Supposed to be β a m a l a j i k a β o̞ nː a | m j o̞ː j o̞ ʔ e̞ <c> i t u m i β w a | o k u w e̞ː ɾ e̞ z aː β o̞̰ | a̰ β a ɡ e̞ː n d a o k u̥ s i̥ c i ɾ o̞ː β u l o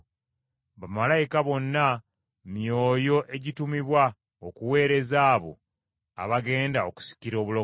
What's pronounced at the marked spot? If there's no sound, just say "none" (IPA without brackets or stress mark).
ɟ